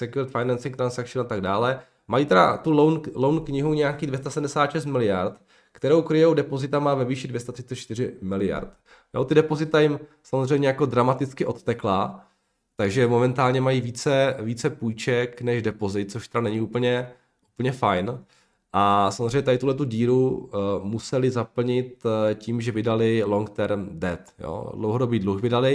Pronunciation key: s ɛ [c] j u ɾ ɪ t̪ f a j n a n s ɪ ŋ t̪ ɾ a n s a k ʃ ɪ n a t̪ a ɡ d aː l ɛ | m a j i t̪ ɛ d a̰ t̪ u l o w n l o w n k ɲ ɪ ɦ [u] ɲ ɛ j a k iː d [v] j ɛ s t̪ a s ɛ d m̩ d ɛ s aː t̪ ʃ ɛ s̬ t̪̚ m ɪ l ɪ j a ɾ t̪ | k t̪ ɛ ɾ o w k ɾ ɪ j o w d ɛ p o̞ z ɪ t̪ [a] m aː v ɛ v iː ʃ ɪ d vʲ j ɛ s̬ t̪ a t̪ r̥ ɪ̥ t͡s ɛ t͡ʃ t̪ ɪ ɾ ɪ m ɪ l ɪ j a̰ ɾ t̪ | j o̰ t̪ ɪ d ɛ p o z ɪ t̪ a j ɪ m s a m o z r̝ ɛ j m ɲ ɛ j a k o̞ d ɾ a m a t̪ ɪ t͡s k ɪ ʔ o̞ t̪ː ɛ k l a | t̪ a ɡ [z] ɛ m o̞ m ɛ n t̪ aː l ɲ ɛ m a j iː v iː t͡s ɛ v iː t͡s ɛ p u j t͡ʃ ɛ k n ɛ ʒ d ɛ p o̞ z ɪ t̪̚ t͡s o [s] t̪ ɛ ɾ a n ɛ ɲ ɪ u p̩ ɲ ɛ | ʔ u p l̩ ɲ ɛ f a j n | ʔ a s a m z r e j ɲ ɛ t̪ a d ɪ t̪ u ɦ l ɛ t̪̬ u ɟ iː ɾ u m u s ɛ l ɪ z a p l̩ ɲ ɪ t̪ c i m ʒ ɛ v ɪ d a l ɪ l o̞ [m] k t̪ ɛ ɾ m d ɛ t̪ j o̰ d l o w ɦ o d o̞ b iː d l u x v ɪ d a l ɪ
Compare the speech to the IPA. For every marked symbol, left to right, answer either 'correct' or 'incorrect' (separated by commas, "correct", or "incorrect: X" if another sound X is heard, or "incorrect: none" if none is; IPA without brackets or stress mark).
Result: incorrect: k, correct, correct, correct, incorrect: ʒ, incorrect: ʃ, incorrect: ŋ